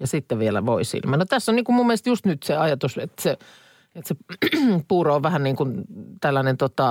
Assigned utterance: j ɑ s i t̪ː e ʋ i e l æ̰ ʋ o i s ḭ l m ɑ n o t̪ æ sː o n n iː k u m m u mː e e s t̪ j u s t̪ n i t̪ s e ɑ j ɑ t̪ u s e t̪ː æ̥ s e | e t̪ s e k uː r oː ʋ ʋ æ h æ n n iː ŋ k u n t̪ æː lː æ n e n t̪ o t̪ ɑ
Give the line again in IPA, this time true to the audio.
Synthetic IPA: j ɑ s i t̪ː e ʋ i e l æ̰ ʋ o i s ḭ l m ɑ n o t̪ æ sː o n n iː k u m m u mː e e s t̪ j u s t̪ n y t̪ s e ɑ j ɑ t̪ u s e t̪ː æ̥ s e | e t̪ s e p uː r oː ʋ ʋ æ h æ n n iː ŋ k u n t̪ æ lː æ n e n t̪ o t̪ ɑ